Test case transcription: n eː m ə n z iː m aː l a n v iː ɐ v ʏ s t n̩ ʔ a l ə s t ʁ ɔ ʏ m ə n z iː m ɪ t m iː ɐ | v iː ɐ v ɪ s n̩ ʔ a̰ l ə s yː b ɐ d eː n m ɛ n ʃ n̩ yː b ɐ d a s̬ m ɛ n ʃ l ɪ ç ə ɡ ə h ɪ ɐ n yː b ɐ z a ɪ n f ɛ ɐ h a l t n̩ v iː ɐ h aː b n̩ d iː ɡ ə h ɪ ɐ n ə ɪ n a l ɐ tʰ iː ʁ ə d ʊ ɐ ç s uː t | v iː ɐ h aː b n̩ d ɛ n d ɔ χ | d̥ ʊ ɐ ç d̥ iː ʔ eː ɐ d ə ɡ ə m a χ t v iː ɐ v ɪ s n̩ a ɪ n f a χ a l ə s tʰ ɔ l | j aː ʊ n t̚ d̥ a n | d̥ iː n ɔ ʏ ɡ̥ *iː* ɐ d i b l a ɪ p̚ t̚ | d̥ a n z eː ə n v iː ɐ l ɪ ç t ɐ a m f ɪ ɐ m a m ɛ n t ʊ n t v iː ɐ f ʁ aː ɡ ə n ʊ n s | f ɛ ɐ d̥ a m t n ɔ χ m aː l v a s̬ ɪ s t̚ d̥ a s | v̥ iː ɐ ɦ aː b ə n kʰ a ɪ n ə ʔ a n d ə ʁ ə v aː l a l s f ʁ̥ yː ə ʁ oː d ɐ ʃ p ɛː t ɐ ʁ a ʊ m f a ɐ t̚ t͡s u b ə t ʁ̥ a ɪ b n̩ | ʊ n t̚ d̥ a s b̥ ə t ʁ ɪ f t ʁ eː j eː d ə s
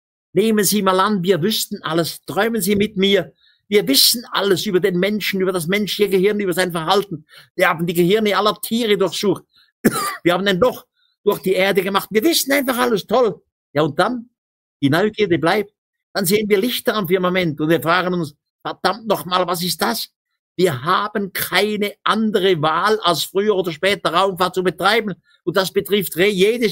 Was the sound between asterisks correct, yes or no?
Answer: yes